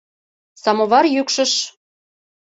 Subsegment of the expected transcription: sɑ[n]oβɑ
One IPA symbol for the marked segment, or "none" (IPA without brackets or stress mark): m